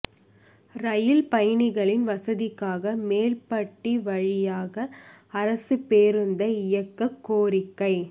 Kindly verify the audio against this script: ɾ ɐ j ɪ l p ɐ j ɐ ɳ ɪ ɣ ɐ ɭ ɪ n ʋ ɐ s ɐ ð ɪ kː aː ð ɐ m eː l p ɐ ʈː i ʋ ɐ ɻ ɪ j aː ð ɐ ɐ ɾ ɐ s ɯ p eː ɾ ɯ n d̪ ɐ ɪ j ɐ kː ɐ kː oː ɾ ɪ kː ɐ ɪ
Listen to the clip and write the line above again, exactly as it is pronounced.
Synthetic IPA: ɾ ɐ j ɪ l p ɐ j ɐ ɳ ɪ ɣ ɐ ɭ ɪ n ʋ ɐ s ɐ ð ɪ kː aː ɣ ɐ m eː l p ɐ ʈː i ʋ ɐ ɻ ɪ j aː ɣ ɐ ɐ ɾ ɐ s ɯ p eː ɾ ɯ n d̪ ɐ ɪ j ɐ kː ɐ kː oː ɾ ɪ kː ɐ ɪ

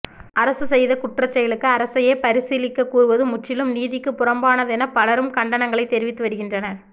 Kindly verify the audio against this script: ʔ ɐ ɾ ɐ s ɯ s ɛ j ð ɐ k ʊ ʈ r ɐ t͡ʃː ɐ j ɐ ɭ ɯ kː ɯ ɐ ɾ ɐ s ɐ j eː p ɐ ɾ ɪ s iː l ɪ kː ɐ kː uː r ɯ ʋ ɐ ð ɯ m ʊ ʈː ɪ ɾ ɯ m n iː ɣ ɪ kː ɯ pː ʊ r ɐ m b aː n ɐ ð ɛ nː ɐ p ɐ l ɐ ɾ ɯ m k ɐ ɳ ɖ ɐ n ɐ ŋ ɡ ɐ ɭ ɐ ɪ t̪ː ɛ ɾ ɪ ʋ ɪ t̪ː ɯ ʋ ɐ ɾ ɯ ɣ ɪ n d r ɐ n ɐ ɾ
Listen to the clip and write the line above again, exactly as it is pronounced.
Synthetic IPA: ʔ ɐ ɾ ɐ s ɯ s ɛ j ð ɐ k ʊ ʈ r ɐ t͡ʃː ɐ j ɐ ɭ ɯ kː ɯ ɐ ɾ ɐ s ɐ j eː p ɐ ɾ ɪ s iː l ɪ kː ɐ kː uː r ɯ ʋ ɐ ð ɯ m ʊ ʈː ɪ l ɯ m n iː ð ɪ kː ɯ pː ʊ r ɐ m b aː n ɐ ð ɛ n ɐ p ɐ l ɐ ɾ ɯ m k ɐ ɳ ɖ ɐ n ɐ ŋ ɡ ɐ ɭ ɐ ɪ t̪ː ɛ ɾ ɪ ʋ ɪ t̪ː ɯ ʋ ɐ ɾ ɯ ɣ ɪ n d r ɐ n ɐ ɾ

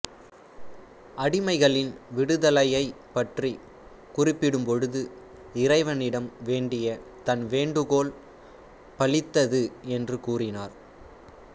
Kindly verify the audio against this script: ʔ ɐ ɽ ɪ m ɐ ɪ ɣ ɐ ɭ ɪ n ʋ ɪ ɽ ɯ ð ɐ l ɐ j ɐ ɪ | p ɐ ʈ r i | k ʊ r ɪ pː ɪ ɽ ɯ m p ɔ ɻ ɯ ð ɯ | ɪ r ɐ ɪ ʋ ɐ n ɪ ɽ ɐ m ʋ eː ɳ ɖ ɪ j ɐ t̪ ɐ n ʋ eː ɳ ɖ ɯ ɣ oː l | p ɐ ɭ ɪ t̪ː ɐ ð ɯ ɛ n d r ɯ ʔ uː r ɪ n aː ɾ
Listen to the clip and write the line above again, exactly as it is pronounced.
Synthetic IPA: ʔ ɐ ɽ ɪ m ɐ ɪ ɣ ɐ ɭ ɪ n ʋ ɪ ɽ ɯ ð ɐ l ɐ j ɐ ɪ | p ɐ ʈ r i | k ʊ r ɪ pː ɪ ɽ ɯ m p ɔ ɻ ɯ ð ɯ | ɪ r ɐ ɪ ʋ ɐ n ɪ ɽ ɐ m ʋ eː ɳ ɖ ɪ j ɐ t̪ ɐ n ʋ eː ɳ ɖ ɯ ɣ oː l | p ɐ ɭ ɪ t̪ː ɐ ð ɯ ɛ n d r ɯ k uː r ɪ n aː ɾ

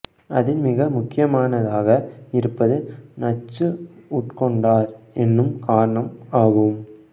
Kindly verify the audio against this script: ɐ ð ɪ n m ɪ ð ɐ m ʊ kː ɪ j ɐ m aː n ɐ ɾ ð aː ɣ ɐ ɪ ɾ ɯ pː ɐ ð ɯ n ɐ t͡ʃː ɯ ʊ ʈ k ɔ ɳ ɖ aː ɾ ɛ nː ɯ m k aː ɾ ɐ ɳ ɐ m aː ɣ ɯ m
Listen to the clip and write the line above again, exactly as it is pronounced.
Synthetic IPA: ɐ ð ɪ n m ɪ ɣ ɐ m ʊ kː ɪ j ɐ m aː n ɐ ð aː ɣ ɐ ɪ ɾ ɯ pː ɐ ð ɯ n ɐ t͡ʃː ɯ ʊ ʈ k ɔ ɳ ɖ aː ɾ ɛ nː ɯ m k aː ɾ ɐ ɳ ɐ m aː ɣ ɯ m

